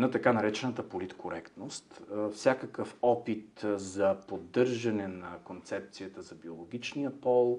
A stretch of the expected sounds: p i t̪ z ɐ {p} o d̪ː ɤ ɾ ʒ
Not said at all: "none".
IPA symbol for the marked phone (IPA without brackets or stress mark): p